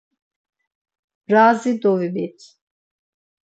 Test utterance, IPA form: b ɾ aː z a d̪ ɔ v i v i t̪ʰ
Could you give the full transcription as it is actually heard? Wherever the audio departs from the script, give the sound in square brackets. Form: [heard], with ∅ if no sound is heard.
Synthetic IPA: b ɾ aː z [i] d̪ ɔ v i [b] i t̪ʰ